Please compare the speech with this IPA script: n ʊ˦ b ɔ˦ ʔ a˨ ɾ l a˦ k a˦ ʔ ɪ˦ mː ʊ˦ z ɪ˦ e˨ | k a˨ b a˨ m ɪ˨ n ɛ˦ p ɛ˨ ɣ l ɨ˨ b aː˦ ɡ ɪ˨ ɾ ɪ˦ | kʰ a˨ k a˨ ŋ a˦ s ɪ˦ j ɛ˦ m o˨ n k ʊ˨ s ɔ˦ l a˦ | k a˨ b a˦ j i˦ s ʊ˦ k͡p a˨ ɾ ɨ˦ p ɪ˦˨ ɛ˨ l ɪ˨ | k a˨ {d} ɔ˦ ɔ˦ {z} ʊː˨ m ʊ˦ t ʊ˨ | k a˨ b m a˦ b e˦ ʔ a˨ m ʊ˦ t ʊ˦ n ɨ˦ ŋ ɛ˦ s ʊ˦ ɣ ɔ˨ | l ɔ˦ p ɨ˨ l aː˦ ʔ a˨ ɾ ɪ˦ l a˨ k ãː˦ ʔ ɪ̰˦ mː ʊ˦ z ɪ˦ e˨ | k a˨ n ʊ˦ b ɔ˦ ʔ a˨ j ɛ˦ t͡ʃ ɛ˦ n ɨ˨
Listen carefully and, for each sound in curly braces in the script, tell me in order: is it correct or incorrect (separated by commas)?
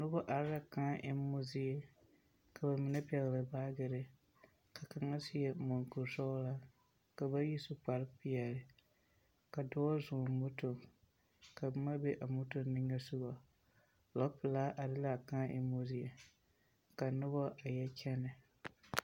correct, correct